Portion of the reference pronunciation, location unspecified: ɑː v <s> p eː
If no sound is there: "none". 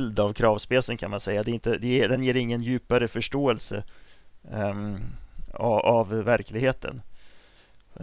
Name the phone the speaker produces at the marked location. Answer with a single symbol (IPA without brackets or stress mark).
s